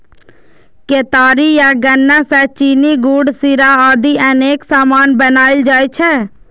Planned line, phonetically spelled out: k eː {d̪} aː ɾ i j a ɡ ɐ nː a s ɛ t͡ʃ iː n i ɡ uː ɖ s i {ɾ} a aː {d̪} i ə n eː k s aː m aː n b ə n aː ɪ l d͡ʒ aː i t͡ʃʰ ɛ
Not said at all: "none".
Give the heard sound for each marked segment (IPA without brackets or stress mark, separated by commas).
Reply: t̪, ɾ, d̪